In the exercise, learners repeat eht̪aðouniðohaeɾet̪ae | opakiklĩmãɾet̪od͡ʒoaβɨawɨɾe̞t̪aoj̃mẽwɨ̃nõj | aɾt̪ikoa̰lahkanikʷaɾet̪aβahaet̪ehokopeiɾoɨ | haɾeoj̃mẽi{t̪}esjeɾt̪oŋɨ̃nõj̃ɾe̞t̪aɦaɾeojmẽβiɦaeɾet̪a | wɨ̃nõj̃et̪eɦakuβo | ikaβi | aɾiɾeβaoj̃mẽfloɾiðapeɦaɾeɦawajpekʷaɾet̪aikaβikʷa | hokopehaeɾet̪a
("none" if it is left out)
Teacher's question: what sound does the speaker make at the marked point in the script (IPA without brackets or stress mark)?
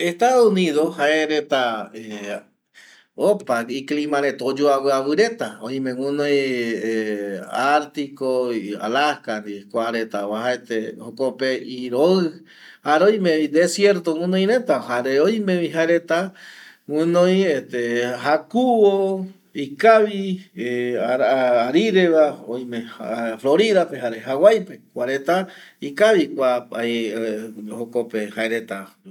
d̪